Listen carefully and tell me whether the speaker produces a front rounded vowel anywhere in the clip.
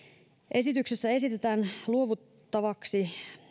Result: yes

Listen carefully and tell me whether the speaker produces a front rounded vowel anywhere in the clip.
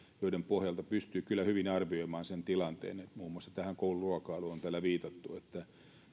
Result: yes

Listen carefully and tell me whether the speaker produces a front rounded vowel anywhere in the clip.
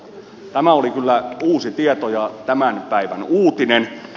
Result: yes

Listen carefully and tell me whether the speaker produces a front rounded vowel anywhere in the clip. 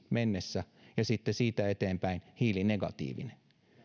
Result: no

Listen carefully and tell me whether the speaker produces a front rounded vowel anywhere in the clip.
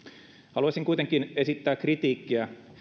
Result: no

